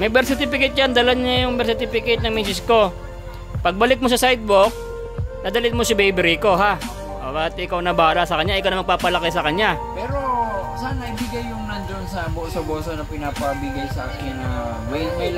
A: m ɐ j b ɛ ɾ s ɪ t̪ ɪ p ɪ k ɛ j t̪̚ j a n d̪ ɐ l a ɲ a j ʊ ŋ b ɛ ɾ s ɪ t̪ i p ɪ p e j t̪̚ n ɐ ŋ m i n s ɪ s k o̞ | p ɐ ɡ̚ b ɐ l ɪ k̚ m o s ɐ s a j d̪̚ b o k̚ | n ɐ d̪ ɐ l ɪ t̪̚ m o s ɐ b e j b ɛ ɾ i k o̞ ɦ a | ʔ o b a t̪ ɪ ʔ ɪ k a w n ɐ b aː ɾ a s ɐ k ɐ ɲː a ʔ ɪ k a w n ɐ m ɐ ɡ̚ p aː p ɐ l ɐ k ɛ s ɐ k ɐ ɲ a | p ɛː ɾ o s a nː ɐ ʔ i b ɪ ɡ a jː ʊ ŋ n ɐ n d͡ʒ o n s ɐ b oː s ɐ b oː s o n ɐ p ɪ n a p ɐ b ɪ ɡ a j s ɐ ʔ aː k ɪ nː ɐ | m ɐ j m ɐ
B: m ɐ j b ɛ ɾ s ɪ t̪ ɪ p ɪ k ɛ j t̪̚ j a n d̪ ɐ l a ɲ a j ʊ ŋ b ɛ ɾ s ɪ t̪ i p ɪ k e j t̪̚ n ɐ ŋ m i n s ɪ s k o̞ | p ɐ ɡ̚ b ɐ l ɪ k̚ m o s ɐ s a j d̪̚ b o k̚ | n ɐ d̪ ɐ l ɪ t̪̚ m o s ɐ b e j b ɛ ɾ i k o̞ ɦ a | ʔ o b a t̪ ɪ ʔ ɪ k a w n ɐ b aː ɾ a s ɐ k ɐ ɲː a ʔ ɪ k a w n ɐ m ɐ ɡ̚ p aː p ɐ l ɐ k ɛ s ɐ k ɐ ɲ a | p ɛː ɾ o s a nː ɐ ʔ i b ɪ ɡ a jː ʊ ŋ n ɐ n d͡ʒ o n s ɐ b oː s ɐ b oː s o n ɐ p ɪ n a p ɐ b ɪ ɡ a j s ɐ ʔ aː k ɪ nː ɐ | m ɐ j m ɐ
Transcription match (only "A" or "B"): B